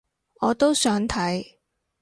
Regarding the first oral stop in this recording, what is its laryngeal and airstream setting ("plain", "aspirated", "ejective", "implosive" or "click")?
plain